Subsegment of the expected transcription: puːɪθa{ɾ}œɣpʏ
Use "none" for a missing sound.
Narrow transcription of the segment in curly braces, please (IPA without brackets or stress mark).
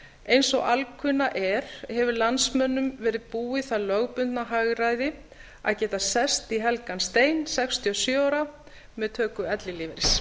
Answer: l